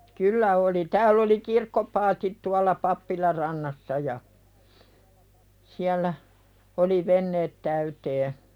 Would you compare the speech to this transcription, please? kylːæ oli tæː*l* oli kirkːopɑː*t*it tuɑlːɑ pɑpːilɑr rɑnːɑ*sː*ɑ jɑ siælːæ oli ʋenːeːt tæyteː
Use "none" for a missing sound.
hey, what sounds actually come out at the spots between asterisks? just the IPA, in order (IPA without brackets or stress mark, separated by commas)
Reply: lː, t, sː